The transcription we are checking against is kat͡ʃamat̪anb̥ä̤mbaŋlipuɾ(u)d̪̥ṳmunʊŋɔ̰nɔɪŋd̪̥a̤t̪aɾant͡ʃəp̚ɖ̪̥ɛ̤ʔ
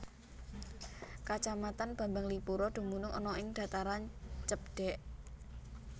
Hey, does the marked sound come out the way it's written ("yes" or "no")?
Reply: no